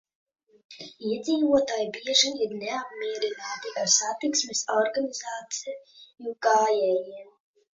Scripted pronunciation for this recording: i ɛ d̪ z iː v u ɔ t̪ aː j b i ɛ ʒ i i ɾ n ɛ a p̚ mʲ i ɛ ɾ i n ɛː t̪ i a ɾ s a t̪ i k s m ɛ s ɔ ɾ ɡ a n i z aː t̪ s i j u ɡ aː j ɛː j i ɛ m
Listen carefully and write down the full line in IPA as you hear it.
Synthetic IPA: i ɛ d̪ z iː v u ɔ t̪ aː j b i ɛ ʒ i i ɾ n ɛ a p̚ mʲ i ɛ ɾ i n aː t̪ i a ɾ s a t̪ i k s m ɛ s ɔ ɾ ɡ a n i z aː t̪ s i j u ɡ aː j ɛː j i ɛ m